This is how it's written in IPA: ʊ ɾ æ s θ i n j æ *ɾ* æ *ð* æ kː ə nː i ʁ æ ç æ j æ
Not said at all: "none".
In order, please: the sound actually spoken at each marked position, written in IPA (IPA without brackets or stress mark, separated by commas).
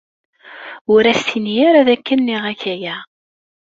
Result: ɾ, ð